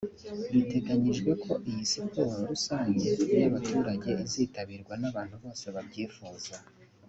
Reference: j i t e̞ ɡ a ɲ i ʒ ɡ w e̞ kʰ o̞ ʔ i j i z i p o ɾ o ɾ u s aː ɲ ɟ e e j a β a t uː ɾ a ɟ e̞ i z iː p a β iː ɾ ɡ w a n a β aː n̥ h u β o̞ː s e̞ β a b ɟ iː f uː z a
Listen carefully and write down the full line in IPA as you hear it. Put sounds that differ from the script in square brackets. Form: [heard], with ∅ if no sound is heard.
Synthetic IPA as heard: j i t e̞ ɡ a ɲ i ʒ ɡ w e̞ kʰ o̞ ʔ i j i [s] i p o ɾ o ɾ u s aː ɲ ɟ e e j a β a t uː ɾ a ɟ e̞ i z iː [t] a β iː ɾ ɡ w a n a β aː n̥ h u β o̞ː s e̞ β a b ɟ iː f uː z a